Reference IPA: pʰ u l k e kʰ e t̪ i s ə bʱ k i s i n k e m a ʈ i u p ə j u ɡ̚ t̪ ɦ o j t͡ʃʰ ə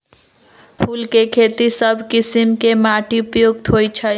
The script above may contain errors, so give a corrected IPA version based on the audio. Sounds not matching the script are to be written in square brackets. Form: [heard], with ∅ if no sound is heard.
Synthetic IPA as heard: pʰ u l k e kʰ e t̪ i s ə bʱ k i s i [m] k e m a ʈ i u p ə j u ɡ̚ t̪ ɦ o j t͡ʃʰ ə